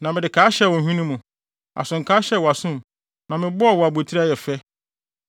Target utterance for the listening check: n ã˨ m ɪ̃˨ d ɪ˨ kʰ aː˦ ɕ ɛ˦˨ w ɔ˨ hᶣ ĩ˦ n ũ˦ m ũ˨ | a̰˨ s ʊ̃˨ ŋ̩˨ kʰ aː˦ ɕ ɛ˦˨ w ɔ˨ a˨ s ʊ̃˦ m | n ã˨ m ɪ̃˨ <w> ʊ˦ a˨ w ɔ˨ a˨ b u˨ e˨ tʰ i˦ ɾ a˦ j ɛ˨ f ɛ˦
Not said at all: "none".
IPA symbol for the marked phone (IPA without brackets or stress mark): b